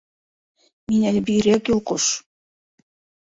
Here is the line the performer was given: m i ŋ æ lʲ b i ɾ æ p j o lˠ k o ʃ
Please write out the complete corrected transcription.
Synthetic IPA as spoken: m i n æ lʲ b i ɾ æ k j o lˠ q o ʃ